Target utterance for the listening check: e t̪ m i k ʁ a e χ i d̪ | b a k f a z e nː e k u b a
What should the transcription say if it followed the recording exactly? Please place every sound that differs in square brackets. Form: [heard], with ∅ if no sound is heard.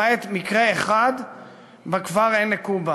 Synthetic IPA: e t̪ m i k ʁ [e] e χ [a] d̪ | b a k [v] a [ʁ] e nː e k u b a